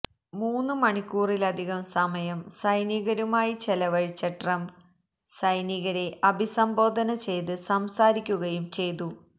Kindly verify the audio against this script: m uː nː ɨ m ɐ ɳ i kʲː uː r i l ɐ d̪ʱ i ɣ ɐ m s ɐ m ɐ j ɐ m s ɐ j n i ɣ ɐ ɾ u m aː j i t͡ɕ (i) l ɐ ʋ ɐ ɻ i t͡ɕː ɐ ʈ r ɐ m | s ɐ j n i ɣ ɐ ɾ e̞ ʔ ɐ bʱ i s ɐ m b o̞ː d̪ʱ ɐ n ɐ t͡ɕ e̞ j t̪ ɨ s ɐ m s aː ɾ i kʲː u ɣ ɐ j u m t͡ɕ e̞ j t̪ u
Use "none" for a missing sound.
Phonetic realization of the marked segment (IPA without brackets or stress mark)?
e